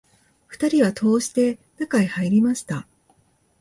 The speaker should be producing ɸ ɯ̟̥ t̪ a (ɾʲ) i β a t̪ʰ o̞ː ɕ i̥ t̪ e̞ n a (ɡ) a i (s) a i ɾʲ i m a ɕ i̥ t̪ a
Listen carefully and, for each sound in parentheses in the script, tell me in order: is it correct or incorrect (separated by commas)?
correct, incorrect, incorrect